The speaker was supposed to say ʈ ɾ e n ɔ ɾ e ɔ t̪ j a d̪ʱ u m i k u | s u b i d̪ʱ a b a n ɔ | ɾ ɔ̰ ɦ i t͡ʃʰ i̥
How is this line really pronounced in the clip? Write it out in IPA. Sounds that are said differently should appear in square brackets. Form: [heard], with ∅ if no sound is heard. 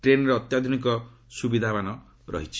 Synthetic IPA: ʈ ɾ e n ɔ ɾ e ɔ t̪ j a d̪ʱ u [n] i k [ɔ] | s u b i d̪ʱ a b a n ɔ | ɾ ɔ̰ ɦ i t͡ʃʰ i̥